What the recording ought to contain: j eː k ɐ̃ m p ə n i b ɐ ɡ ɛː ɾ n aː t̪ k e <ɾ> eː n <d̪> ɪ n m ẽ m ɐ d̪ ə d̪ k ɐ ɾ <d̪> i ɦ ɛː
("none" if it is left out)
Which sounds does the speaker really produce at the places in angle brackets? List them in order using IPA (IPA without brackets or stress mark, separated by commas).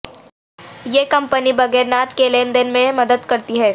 l, d̪, t̪